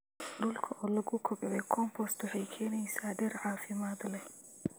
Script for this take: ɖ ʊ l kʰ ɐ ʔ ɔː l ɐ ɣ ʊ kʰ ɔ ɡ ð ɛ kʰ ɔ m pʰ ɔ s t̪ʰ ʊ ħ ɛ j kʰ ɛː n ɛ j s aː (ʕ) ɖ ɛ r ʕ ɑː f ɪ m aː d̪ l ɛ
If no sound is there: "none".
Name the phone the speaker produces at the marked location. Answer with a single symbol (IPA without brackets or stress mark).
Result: none